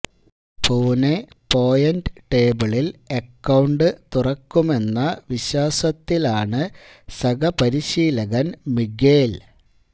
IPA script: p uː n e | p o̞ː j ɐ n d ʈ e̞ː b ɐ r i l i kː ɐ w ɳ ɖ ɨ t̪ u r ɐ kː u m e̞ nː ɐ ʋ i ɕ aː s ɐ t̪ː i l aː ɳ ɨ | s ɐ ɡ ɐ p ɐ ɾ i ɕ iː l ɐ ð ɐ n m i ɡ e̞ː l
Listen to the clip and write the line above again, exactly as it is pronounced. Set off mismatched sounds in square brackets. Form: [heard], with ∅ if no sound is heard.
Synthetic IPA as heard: p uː n e | p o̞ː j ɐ n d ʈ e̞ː b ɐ [ɭ] i l [e] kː ɐ w ɳ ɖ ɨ t̪ u r ɐ kː u m e̞ nː ɐ ʋ i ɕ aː s ɐ t̪ː i l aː ɳ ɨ | s ɐ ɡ ɐ p ɐ ɾ i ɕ iː l ɐ [ɣ] ɐ n m i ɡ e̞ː l